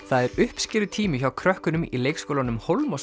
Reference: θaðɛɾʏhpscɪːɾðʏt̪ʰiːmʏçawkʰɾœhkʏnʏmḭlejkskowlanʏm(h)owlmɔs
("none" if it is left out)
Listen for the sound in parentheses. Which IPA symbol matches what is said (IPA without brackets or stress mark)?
h